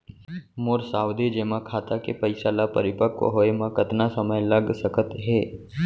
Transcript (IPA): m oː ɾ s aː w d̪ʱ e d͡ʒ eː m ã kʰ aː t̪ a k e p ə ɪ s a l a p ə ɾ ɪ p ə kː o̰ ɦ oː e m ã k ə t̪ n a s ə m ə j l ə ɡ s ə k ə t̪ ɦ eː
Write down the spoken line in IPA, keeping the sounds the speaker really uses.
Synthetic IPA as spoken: m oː ɾ s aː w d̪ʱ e d͡ʒ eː m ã kʰ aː t̪ a k e p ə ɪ s a l a p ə ɾ ɪ p ə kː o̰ ɦ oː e m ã k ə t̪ n a s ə m ə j l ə ɡ s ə k ə t̪ ɦ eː